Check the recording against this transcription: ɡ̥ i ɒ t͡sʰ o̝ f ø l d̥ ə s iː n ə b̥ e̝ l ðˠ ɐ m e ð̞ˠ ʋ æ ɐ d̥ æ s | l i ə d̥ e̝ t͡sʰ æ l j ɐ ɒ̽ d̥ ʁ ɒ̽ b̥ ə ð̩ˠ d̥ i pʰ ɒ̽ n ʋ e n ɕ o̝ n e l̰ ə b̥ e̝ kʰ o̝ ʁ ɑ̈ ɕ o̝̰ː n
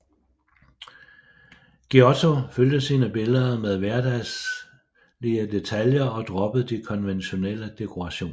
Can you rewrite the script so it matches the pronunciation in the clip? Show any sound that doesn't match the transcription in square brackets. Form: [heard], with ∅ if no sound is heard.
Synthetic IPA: ɡ̥ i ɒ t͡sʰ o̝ f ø l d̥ ə s iː n ə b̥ e̝ l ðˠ ɐ m e ð̞ˠ ʋ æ ɐ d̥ æ s | l i ə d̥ e̝ t͡sʰ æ l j ɐ ɒ̽ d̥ ʁ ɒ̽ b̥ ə ð̩ˠ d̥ i [kʰ] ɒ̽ n ʋ e n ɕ o̝ n e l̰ ə [d̥] e̝ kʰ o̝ ʁ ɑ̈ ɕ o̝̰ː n

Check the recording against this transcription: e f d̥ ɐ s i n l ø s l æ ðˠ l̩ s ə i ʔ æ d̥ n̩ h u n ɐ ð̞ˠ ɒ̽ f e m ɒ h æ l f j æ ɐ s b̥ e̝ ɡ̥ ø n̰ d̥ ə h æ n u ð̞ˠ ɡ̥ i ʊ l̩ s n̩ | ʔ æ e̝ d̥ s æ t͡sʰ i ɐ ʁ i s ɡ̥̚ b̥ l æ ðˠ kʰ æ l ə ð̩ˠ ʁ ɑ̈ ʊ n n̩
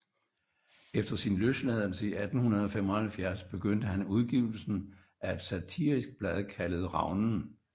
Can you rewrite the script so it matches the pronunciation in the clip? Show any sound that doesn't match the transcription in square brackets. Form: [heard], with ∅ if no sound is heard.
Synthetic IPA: e f d̥ ɐ s i n l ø s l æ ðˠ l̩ s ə i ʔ æ d̥ n̩ h u n ɐ ð̞ˠ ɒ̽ f e m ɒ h æ l f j æ ɐ s b̥ e̝ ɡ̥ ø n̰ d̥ ə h æ n u ð̞ˠ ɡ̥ i ʊ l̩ s n̩ | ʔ æ e̝ d̥ s æ t͡sʰ i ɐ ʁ i s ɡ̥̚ b̥ l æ ðˠ kʰ æ l ə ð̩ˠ ʁ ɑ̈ ʊ n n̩

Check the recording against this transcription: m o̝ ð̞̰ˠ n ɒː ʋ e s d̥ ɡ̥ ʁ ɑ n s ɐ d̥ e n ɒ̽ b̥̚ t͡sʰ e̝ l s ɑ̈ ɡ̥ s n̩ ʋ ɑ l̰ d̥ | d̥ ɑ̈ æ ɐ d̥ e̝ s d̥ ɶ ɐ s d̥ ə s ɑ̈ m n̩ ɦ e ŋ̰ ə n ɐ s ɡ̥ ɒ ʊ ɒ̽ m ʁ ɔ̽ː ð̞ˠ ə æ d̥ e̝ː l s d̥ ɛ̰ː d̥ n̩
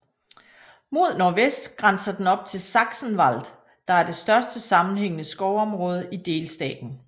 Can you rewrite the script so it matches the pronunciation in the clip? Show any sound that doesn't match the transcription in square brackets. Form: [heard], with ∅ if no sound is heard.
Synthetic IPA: m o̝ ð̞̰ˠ n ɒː ʋ e s d̥ ɡ̥ ʁ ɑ n s ɐ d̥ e n ɒ̽ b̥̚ t͡sʰ e̝ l s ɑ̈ ɡ̥ s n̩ ʋ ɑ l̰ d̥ | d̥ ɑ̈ æ ɐ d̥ e̝ s d̥ ɶ ɐ s d̥ ə s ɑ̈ m n̩ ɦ e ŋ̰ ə n [ə] s ɡ̥ ɒ ʊ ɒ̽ m ʁ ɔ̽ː ð̞ˠ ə [i] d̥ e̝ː l s d̥ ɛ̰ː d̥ n̩

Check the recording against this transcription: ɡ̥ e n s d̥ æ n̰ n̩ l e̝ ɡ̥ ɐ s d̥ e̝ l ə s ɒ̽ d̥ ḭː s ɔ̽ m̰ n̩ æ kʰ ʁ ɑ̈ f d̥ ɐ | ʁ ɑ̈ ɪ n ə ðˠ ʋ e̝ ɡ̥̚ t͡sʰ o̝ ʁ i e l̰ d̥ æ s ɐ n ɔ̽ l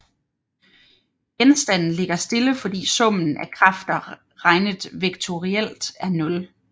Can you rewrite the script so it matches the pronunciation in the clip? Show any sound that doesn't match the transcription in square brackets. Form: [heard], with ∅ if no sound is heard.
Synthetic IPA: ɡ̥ e n s d̥ æ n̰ n̩ l e̝ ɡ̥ ɐ s d̥ e̝ l ə [f] ɒ̽ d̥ ḭː s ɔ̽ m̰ n̩ æ kʰ ʁ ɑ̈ f d̥ ɐ | ʁ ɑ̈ ɪ n ə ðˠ ʋ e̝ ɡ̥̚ t͡sʰ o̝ ʁ i e l̰ d̥ æ [∅] ɐ n ɔ̽ l

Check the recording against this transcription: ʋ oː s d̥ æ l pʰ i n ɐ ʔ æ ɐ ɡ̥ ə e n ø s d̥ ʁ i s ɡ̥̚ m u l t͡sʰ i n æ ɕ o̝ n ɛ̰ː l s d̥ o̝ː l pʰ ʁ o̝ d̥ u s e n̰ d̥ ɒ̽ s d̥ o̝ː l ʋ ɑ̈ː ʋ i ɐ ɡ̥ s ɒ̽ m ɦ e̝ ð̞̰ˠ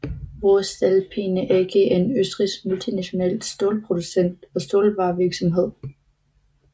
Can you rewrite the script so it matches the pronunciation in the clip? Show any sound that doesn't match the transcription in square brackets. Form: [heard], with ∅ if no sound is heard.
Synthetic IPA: ʋ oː s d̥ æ l pʰ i n [ə] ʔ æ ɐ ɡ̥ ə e n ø s d̥ ʁ i s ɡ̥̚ m u l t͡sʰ i n æ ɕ o̝ n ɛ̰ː l s d̥ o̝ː l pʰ ʁ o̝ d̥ u s e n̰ d̥ ɒ̽ s d̥ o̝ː l ʋ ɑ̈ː ʋ i ɐ ɡ̥ s ɒ̽ m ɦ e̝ ð̞̰ˠ

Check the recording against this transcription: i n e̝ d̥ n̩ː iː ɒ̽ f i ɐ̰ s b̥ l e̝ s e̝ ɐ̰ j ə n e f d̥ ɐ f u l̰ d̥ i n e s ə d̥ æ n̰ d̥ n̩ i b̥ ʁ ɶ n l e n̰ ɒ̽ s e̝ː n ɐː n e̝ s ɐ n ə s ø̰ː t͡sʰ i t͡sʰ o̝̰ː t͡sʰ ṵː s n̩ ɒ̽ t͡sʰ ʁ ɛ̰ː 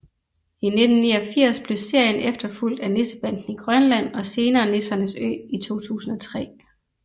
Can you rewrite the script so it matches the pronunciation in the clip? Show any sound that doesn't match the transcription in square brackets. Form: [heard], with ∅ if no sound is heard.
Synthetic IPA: i n e̝ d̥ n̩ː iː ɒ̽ f i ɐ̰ s b̥ l e̝ s e̝ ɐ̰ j ə n e f d̥ ɐ f u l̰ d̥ [æ] n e s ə [b̥] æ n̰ d̥ n̩ i [ɡ̥] ʁ ɶ n l [æ] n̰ ɒ̽ s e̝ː n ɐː n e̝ s ɐ n ə s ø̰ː [∅] i t͡sʰ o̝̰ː t͡sʰ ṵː s n̩ ɒ̽ t͡sʰ ʁ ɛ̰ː

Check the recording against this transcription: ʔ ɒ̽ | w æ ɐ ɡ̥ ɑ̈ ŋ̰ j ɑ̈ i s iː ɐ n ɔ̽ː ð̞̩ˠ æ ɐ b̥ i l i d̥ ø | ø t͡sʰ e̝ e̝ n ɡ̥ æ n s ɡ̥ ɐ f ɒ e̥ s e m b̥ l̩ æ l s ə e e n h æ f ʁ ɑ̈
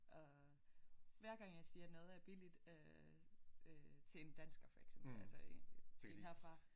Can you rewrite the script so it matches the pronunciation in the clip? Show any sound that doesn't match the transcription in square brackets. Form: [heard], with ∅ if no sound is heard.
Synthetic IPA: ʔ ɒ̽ | [ʋ] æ ɐ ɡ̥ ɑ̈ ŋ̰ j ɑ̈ [ɪ] s iː ɐ n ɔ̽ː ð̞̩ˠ æ ɐ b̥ i l i d̥ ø | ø t͡sʰ e̝ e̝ n [d̥] æ n s ɡ̥ ɐ f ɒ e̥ s e m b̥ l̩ æ l s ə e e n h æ f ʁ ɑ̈

